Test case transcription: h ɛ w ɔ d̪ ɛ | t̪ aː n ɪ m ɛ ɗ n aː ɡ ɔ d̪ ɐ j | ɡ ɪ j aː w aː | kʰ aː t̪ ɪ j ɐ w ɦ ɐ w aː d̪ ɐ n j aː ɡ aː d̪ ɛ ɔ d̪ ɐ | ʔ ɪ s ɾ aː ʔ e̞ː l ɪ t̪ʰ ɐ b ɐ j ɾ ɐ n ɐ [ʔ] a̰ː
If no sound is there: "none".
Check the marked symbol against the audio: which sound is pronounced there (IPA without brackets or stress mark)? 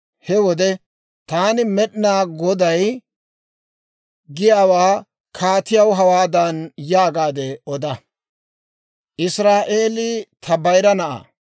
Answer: ʔ